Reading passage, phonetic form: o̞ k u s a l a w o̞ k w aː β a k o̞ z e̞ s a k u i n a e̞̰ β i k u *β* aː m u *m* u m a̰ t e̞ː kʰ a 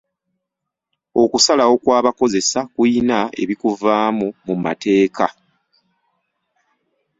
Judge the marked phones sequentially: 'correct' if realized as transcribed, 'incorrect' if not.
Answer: incorrect: v, correct

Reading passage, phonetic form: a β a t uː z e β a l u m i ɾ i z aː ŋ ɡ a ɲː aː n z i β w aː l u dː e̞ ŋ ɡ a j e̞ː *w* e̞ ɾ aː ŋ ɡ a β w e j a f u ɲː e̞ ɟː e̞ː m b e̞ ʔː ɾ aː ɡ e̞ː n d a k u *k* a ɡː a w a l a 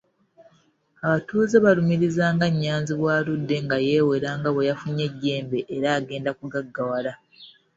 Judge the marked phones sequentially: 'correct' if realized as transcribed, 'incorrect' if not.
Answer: correct, incorrect: ɡ

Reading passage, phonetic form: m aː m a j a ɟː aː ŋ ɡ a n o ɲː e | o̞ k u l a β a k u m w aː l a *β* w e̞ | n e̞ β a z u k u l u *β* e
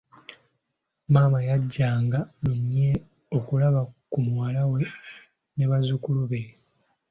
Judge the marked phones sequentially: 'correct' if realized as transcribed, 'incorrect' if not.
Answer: incorrect: none, correct

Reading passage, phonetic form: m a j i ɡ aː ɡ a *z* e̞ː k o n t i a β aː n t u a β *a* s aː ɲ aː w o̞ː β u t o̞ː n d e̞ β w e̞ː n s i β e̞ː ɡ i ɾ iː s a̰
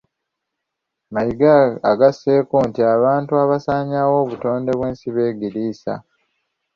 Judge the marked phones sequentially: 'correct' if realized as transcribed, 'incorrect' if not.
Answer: incorrect: s, correct

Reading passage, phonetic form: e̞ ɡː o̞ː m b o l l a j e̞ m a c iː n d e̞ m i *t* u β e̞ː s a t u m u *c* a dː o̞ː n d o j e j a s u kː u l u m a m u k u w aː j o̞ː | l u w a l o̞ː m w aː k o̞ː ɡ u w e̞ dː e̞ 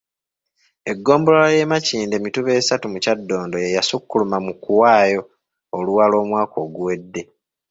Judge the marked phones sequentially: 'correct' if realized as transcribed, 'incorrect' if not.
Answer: correct, correct

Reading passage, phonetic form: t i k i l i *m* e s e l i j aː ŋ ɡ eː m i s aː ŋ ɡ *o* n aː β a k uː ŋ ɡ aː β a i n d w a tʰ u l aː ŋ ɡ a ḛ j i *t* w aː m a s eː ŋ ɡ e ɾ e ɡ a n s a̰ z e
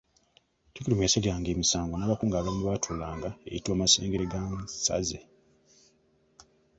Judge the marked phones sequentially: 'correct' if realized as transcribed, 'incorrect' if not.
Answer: correct, correct, correct

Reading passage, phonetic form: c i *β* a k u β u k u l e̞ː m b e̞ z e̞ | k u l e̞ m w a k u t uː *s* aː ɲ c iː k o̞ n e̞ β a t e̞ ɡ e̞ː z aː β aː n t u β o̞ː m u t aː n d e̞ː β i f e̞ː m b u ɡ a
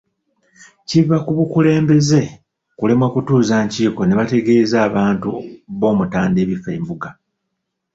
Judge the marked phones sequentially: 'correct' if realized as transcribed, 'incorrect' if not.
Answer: incorrect: v, incorrect: z

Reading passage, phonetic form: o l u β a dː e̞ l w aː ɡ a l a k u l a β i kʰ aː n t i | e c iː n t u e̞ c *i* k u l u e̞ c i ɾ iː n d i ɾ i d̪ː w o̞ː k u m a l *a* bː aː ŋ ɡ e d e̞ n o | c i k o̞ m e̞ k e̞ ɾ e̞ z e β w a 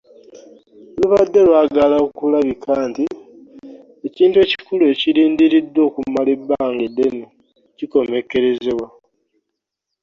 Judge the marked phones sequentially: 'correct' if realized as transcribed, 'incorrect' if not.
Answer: correct, incorrect: e

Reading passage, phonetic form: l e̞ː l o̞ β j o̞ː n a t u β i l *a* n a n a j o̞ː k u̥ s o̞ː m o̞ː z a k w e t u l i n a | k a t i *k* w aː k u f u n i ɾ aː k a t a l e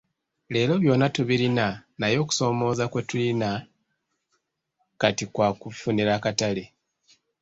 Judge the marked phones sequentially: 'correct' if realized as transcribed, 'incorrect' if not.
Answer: incorrect: i, correct

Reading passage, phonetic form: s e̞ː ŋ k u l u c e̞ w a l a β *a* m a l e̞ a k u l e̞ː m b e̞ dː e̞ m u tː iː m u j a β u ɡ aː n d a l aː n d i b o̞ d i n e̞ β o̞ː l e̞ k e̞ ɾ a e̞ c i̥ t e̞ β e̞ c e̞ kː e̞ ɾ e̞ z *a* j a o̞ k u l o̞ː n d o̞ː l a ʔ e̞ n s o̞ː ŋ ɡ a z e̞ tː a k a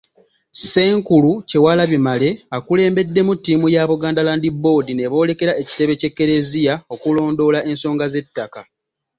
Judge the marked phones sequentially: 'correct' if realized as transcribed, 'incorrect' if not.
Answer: incorrect: i, incorrect: i

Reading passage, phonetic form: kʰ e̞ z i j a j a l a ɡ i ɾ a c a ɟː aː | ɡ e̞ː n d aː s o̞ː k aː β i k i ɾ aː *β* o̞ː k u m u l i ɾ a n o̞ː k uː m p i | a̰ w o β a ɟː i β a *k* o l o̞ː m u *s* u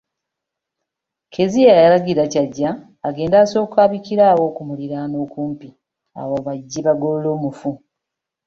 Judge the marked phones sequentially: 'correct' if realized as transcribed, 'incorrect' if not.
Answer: incorrect: w, incorrect: ɡ, incorrect: f

